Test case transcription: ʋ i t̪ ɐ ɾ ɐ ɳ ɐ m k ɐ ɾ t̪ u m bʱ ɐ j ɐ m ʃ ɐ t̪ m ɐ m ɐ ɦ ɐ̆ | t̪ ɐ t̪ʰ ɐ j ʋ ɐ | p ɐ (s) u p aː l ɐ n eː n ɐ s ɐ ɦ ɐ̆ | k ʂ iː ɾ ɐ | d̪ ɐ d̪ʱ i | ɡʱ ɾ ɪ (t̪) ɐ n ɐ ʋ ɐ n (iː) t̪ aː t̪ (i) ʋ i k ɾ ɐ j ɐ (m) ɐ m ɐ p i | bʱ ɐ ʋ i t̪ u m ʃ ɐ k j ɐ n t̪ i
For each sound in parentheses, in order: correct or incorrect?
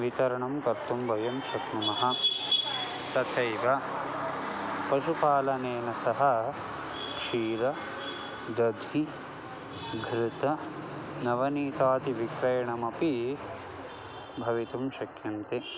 incorrect: ʃ, correct, correct, correct, incorrect: ɳ

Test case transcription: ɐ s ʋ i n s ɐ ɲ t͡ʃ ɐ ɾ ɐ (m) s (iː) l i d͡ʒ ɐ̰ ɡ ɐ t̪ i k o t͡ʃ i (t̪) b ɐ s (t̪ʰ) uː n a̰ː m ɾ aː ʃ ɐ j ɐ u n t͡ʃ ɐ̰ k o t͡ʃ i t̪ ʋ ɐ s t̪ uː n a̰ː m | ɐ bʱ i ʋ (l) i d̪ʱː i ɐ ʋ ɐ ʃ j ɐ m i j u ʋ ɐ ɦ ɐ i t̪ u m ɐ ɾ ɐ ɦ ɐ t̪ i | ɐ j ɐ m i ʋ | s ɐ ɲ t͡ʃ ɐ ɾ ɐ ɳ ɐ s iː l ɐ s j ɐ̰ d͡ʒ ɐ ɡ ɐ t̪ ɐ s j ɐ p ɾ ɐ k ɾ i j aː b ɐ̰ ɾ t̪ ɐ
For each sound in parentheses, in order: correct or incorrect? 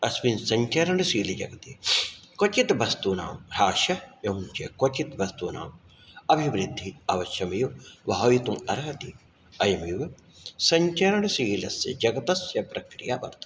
incorrect: ɳ, correct, correct, incorrect: t̪, incorrect: ɾ

